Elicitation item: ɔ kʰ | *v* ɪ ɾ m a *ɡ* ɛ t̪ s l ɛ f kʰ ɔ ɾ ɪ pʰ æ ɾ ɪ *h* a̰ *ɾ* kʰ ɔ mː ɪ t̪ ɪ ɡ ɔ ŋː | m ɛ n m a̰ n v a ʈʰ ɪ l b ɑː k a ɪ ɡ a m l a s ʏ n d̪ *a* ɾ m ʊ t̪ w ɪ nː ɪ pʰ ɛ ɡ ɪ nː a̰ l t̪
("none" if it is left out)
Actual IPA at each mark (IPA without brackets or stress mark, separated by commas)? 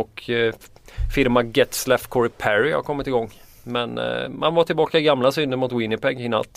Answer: f, ɡ, h, ɾ, ə